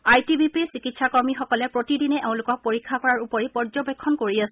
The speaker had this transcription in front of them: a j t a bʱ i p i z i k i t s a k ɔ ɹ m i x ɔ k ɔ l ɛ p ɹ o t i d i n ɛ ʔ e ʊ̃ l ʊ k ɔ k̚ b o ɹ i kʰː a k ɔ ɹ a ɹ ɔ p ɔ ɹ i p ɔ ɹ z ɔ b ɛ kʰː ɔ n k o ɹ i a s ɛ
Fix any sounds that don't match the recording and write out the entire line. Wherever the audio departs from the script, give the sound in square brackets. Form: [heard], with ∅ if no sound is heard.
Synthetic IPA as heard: a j t [i] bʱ i p i [s] i k i t s a k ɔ ɹ m i x ɔ k ɔ l ɛ p ɹ o t i d i n ɛ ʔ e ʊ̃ l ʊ k ɔ k̚ [p] o ɹ i kʰː a k ɔ ɹ a ɹ [u] p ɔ ɹ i p ɔ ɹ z ɔ b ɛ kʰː ɔ n k o ɹ i a s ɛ